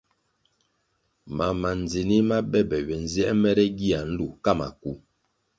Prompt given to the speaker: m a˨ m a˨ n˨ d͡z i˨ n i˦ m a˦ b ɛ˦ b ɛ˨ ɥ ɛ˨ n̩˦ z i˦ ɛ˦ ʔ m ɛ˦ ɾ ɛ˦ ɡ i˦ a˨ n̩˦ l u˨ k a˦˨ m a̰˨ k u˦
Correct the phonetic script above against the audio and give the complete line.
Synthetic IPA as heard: m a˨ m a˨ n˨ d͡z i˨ n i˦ m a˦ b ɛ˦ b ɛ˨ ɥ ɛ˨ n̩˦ z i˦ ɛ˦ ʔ m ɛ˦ ɾ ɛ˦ ɡ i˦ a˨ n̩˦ l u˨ k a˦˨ m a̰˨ k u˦